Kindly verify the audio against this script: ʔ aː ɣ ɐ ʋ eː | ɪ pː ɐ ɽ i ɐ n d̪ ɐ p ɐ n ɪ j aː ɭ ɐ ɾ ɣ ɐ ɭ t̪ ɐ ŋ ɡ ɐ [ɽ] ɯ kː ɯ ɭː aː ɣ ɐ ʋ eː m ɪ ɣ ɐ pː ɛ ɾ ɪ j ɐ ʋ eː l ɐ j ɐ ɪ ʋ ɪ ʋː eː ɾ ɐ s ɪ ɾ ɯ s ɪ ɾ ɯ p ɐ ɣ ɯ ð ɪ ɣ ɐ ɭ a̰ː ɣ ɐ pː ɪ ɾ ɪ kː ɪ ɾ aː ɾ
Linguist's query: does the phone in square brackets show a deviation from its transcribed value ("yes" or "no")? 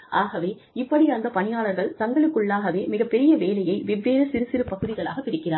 yes